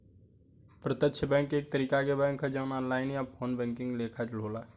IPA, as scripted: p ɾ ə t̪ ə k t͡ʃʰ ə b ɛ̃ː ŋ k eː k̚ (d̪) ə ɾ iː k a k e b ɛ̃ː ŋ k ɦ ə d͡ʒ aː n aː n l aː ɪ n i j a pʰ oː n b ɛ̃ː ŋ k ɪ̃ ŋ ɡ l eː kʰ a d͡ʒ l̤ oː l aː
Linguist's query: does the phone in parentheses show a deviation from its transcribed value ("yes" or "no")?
yes